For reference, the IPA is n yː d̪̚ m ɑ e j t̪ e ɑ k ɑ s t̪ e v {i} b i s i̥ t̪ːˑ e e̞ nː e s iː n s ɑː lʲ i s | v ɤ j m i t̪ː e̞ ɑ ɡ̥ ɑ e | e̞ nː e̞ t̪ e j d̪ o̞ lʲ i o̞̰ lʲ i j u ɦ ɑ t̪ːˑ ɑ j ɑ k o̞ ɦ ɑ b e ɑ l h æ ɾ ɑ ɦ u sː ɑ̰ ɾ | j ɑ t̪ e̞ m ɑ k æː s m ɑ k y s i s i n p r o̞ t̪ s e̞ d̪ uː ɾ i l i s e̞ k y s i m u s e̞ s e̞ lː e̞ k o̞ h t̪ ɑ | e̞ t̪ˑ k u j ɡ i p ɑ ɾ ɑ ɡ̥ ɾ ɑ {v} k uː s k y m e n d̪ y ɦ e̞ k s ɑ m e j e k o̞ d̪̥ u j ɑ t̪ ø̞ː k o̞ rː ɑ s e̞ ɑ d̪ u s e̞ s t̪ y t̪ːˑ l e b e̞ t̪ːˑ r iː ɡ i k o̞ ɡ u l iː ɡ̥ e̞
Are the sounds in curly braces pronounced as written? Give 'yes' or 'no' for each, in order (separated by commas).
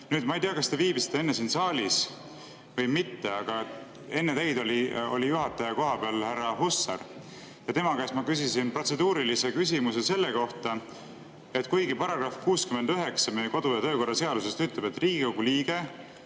no, no